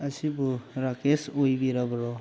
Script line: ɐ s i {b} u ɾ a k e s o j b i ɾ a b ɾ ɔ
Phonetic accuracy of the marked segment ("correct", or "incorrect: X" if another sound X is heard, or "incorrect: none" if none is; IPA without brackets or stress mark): correct